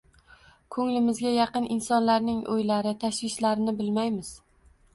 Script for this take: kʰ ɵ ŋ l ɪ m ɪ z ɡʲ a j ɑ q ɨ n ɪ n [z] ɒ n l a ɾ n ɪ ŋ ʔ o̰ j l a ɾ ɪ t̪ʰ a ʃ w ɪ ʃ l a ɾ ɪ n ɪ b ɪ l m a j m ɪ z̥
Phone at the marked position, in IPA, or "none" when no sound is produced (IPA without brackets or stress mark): s